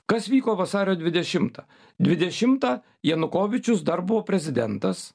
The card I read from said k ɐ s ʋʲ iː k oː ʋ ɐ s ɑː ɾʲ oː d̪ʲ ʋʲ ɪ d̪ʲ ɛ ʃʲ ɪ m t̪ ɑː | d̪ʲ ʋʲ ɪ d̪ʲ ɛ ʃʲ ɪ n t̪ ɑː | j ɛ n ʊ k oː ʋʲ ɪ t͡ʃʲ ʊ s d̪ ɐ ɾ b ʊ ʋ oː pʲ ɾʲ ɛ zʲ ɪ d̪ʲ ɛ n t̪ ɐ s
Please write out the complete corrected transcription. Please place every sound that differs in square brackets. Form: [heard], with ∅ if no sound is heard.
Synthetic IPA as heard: k ɐ s ʋʲ iː k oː ʋ ɐ s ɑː ɾʲ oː d̪ʲ ʋʲ ɪ d̪ʲ ɛ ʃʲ ɪ m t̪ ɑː | d̪ʲ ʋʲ ɪ d̪ʲ ɛ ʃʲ ɪ [m] t̪ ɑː | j ɛ n ʊ k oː ʋʲ ɪ t͡ʃʲ ʊ s d̪ ɐ ɾ b ʊ ʋ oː pʲ ɾʲ ɛ zʲ ɪ d̪ʲ ɛ n t̪ ɐ s